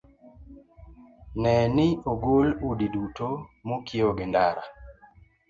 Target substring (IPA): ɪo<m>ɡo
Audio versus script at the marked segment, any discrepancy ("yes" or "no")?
yes